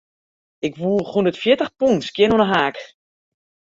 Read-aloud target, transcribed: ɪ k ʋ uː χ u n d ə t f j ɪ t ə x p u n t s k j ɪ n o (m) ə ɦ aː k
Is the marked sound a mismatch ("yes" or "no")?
yes